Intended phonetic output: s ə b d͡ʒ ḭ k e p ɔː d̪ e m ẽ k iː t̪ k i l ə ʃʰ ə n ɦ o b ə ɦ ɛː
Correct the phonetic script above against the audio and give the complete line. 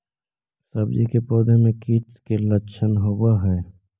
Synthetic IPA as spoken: s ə b d͡ʒ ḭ k e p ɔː d̪ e m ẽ k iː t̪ k e l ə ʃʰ ə n ɦ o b a ɦ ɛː